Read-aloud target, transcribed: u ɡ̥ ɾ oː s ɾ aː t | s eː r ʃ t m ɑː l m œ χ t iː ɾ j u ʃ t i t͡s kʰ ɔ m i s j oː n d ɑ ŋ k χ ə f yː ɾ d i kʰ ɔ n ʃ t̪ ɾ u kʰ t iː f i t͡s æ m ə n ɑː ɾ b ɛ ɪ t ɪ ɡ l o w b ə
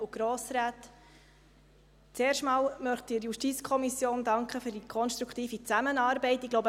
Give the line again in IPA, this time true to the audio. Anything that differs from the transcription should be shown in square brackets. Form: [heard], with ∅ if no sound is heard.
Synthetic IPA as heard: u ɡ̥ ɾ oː s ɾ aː t | [t͡s] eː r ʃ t m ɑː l m œ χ t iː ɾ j u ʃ t i t͡s kʰ ɔ m i s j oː n d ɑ ŋ k χ ə f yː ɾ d i kʰ ɔ n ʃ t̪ ɾ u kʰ t iː f i t͡s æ m ə n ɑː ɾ b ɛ ɪ t ɪ ɡ l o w b ə